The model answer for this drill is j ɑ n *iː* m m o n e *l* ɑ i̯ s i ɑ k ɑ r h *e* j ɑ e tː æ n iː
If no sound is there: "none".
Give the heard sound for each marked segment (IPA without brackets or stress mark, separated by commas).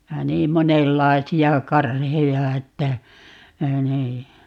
iː, lː, e